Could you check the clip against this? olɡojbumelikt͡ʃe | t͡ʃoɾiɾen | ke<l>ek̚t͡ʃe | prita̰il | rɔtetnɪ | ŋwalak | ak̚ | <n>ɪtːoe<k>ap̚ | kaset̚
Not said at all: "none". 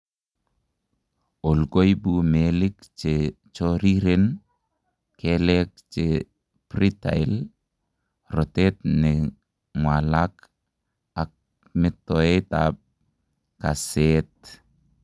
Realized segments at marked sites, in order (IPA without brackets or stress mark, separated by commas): l, m, t